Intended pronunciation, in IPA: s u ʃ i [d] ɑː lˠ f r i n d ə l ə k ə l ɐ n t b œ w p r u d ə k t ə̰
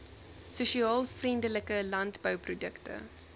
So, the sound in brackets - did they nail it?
no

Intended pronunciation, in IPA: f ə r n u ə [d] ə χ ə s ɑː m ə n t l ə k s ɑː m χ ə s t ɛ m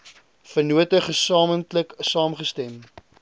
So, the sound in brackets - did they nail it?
no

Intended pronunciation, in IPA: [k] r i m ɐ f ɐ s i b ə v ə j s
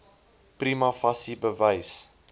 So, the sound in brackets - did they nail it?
no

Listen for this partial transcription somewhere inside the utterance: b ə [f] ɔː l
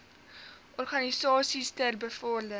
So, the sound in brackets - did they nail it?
yes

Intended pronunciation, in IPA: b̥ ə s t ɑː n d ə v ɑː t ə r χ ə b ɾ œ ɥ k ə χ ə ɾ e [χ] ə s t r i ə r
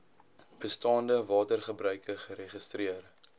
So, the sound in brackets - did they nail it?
yes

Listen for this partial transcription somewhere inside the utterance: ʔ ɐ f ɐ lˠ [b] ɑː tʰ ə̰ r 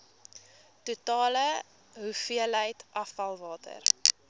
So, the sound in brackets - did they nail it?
no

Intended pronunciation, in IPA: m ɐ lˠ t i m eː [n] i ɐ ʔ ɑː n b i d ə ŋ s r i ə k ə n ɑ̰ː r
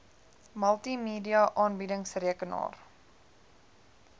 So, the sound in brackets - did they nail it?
no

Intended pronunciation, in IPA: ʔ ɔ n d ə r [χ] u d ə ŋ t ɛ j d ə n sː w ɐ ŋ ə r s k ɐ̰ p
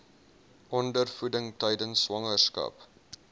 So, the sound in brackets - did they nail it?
no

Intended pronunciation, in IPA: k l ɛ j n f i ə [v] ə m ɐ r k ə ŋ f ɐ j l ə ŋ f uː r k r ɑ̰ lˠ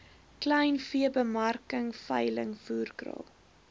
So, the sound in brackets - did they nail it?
no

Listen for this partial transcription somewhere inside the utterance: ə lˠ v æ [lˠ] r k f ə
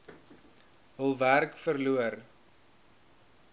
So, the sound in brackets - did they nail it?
no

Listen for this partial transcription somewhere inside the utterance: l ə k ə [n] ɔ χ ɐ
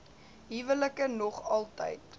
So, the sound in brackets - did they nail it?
yes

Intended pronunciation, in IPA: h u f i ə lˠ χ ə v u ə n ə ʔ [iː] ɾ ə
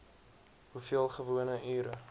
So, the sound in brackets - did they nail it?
no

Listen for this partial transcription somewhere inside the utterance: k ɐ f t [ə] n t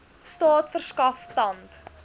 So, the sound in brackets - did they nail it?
no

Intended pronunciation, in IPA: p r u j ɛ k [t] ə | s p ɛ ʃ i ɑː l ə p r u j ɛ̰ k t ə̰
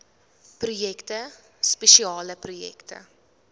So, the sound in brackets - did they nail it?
yes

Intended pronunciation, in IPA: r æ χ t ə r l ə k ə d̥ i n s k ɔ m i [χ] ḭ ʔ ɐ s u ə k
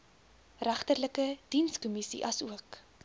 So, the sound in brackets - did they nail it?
no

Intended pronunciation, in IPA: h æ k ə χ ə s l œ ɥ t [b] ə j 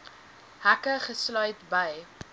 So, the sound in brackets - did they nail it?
yes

